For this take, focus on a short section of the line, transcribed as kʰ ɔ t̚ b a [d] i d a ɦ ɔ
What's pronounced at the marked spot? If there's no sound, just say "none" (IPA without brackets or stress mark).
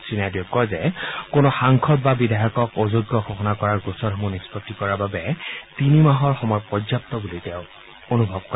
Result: b